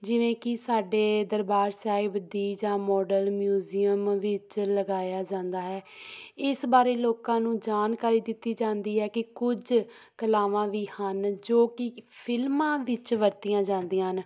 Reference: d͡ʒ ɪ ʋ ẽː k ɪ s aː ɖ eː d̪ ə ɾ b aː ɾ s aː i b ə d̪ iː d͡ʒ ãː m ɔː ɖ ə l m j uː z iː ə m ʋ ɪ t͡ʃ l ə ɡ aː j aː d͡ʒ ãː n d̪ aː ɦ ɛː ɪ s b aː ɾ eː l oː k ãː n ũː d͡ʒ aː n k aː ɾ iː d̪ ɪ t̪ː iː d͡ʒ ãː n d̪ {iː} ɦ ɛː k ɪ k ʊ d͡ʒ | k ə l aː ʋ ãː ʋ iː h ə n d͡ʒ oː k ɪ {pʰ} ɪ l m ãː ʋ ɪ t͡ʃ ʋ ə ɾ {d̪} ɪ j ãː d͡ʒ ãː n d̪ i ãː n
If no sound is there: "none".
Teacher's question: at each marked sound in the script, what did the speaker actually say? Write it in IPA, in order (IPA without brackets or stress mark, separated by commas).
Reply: iː, pʰ, t̪